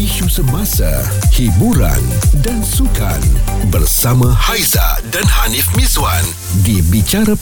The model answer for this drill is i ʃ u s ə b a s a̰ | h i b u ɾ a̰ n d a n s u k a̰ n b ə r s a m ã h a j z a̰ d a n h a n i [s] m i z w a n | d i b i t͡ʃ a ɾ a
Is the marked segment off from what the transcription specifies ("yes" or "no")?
yes